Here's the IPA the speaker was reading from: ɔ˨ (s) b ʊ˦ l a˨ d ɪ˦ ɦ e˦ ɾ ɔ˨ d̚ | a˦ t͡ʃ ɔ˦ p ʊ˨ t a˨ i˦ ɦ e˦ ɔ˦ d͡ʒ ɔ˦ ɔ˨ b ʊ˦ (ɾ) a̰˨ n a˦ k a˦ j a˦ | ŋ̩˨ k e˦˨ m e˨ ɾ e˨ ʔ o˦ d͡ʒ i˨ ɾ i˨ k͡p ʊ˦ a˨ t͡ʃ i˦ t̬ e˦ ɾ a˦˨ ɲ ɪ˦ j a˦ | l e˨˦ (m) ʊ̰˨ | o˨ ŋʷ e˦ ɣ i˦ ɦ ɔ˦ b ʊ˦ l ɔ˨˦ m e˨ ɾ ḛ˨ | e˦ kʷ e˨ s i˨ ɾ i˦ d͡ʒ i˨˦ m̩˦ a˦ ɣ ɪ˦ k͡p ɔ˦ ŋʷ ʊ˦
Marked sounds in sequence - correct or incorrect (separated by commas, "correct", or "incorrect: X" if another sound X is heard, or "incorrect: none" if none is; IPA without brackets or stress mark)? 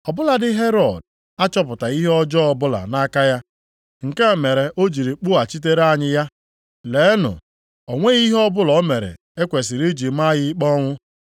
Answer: incorrect: none, incorrect: l, incorrect: n